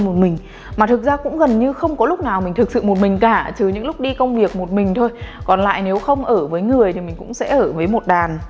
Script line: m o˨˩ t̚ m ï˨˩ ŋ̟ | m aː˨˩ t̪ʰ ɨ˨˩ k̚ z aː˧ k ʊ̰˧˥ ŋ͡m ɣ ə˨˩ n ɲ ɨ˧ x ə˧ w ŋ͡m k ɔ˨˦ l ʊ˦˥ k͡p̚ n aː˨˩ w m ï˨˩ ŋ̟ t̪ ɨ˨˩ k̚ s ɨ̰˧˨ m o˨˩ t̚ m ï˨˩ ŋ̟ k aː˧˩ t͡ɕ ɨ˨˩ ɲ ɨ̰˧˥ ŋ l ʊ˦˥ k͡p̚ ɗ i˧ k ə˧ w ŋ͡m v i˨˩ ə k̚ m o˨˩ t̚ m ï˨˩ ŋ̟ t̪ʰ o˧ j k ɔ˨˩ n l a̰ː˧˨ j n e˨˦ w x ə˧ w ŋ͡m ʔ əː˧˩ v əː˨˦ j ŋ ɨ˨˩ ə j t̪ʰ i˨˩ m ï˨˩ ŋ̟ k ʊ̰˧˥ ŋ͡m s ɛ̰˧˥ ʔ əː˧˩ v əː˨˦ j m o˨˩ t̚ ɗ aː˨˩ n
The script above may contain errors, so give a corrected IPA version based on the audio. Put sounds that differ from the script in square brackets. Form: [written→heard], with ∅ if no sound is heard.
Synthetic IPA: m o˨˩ t̚ m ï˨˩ ŋ̟ | m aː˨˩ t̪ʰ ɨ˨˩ k̚ z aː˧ k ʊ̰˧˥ ŋ͡m ɣ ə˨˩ n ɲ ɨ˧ x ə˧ w ŋ͡m k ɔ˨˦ l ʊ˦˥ k͡p̚ n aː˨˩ w m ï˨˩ ŋ̟ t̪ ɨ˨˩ k̚ s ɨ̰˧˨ m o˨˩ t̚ m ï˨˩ ŋ̟ k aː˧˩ t͡ɕ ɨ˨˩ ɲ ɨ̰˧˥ ŋ l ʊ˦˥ k͡p̚ ɗ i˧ k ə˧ w ŋ͡m v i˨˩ ə k̚ m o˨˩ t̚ m ï˨˩ ŋ̟ t̪ʰ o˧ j k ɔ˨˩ n l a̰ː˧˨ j n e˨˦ w x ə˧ w ŋ͡m ʔ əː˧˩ v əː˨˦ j ŋ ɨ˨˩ ə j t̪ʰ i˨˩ m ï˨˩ ŋ̟ k ʊ̰˧˥ ŋ͡m s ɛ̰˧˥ ʔ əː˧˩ v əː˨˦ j m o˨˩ t̚ ɗ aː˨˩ n